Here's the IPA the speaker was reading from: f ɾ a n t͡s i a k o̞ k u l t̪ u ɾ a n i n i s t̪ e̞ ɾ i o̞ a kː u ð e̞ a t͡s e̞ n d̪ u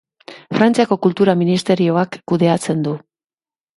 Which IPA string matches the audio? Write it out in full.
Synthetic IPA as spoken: f ɾ a n t͡s i a k o̞ k u l t̪ u ɾ a m i n i s t̪ e̞ ɾ i o̞ a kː u ð e̞ a t͡s e̞ n d̪ u